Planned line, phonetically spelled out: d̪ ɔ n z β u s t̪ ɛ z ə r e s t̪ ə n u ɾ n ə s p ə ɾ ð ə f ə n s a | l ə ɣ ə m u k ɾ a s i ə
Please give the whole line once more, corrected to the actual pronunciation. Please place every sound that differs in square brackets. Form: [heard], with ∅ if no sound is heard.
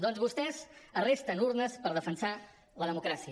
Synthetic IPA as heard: d̪ ɔ n z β u s t̪ ɛ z ə r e s t̪ ə n u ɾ n ə s p ə ɾ ð ə f ə n s a | l ə [ð] ə m u k ɾ a s i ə